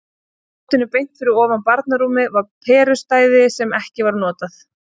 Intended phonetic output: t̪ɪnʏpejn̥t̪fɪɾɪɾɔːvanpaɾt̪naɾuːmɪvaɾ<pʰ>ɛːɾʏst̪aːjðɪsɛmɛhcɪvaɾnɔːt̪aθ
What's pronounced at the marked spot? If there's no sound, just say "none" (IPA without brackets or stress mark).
pʰ